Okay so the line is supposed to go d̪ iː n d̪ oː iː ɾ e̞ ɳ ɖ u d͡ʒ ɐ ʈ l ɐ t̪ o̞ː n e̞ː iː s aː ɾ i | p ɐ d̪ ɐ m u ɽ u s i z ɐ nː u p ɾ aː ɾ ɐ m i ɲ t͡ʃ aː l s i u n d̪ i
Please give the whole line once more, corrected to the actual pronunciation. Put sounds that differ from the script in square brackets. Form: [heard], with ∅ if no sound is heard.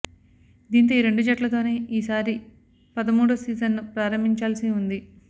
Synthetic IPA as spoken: d̪ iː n [t̪] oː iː ɾ e̞ ɳ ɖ u d͡ʒ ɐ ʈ l ɐ t̪ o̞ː n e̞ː iː s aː ɾ i | p ɐ d̪ ɐ m [uː] ɽ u s [iː] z ɐ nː u p ɾ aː ɾ ɐ m i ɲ t͡ʃ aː l s i u n d̪ i